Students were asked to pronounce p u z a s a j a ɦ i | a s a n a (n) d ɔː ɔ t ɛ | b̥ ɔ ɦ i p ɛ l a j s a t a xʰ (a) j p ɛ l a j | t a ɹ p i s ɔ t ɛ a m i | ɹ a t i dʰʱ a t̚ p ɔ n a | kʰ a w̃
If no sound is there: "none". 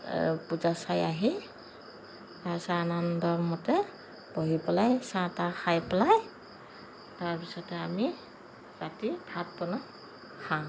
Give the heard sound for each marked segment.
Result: n, a

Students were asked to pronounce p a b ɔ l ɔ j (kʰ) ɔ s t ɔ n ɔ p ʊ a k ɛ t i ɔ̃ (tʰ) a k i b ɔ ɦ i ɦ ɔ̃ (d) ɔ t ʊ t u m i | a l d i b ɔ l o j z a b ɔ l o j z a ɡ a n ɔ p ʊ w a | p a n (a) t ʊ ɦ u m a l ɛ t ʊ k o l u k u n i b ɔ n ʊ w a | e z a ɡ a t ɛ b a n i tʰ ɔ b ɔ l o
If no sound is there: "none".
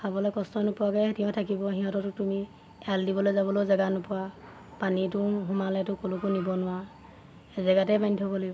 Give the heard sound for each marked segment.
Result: k, tʰ, t, i

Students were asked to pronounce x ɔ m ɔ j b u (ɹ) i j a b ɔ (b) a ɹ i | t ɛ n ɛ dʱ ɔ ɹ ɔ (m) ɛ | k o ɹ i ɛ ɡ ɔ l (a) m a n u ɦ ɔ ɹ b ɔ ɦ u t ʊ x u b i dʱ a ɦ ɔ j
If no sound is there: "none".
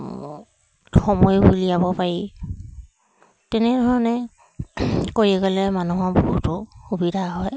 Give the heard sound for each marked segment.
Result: l, p, n, ɛ

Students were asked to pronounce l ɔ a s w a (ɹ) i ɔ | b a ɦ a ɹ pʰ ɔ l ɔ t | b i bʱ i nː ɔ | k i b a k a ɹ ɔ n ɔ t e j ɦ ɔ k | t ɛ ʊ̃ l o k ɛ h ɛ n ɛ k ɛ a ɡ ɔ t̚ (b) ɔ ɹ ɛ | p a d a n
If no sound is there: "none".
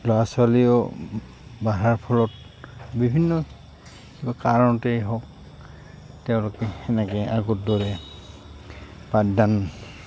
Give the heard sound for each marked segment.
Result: l, d

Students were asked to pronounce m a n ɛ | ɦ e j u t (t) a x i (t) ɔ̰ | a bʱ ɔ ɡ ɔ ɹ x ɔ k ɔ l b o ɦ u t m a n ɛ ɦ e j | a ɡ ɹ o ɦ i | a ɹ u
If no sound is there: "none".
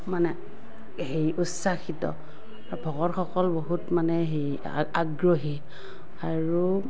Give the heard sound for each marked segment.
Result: s, t

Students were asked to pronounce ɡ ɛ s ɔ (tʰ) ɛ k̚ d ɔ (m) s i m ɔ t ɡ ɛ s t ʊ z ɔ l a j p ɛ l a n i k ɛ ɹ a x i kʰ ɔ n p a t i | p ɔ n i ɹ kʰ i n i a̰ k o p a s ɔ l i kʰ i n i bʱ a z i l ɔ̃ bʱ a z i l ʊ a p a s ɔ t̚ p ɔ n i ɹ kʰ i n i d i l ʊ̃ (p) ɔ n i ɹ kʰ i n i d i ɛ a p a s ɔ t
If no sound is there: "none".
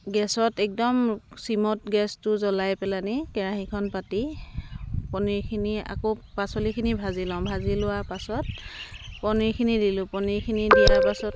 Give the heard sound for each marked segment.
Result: t, m, p

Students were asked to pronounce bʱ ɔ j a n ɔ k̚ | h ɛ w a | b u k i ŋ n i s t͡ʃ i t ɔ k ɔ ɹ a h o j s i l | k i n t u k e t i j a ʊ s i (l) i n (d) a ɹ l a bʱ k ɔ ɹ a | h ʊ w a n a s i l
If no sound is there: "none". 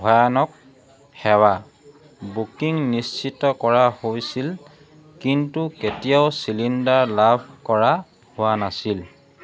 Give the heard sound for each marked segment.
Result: l, d

